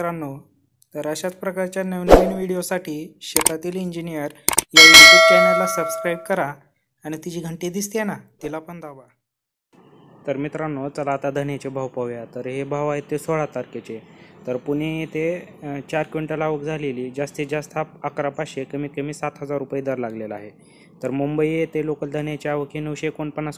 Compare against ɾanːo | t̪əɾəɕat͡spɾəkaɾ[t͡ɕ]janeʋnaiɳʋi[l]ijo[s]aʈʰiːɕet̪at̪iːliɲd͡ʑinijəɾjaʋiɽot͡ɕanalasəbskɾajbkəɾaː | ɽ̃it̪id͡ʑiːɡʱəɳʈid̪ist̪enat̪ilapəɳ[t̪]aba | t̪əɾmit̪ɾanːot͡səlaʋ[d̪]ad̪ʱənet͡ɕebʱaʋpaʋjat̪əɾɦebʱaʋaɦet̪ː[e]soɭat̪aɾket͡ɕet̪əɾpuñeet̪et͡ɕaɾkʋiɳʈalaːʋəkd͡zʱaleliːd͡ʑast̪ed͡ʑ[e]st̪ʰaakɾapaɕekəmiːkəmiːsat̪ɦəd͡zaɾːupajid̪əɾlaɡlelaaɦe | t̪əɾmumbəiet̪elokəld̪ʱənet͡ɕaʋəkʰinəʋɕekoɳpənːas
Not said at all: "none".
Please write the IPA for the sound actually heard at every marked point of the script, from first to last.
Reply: t͡ɕ, ɽ, s, d̪, t̪, e, a

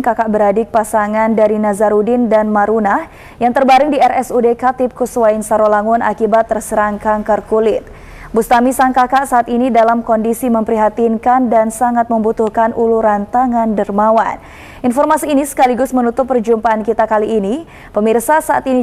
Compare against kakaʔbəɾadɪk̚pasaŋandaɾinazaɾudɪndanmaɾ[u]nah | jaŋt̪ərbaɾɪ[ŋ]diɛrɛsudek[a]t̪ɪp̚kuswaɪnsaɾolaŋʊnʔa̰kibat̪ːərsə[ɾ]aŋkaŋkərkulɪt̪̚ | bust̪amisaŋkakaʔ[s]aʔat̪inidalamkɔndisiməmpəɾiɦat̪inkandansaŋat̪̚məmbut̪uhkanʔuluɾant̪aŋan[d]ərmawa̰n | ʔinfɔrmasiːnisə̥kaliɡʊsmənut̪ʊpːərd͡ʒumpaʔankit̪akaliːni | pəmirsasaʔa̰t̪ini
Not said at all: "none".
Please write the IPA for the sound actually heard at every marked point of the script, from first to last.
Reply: u, ŋ, a, ɾ, s, d

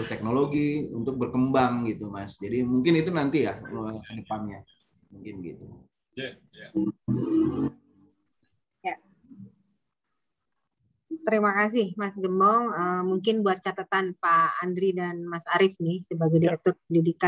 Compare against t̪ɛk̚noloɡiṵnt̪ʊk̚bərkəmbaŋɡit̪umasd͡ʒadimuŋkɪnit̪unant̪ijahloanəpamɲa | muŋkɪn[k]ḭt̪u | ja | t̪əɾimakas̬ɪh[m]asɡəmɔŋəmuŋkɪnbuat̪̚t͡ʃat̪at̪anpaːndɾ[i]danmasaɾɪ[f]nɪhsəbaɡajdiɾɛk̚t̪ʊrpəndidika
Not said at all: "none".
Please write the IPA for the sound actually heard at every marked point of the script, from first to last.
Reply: ɡ, m, i, f

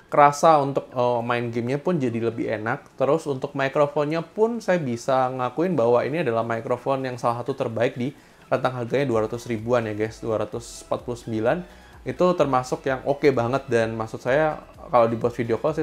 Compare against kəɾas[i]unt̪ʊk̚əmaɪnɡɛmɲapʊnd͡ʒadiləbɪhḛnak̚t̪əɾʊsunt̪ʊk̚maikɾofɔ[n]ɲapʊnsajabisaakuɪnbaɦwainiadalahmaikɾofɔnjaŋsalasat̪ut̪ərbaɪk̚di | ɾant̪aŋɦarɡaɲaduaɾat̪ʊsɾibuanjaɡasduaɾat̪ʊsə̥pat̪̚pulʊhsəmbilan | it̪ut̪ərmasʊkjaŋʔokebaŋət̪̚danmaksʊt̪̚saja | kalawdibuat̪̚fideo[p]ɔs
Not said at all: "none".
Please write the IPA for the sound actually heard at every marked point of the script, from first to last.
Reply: a, n, k

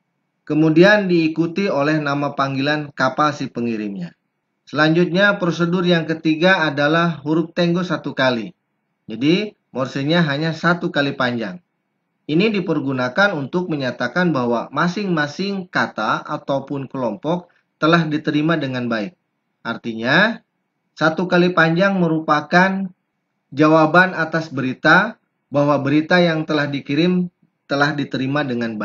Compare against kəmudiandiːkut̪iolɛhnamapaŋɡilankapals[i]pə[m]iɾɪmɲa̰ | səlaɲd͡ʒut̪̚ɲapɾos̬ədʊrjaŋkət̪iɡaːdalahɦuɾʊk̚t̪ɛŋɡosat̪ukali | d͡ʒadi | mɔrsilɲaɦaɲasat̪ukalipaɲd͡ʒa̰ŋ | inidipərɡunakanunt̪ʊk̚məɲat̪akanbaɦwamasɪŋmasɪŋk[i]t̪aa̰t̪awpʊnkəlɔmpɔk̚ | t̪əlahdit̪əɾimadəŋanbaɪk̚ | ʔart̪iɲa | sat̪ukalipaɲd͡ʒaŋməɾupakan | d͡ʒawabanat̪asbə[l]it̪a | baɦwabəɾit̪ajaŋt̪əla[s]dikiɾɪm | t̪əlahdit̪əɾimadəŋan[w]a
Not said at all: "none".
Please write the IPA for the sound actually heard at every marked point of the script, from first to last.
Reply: i, ŋ, a, ɾ, h, b

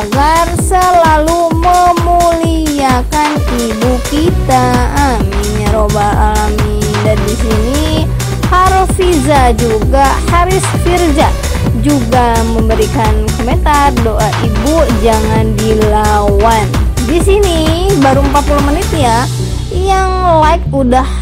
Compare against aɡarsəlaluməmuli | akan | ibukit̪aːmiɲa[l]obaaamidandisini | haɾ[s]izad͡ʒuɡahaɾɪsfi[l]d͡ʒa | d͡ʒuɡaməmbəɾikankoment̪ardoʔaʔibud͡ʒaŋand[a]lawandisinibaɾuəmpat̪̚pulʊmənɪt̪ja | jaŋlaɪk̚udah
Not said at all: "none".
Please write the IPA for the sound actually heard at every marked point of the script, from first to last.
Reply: ɾ, f, r, i

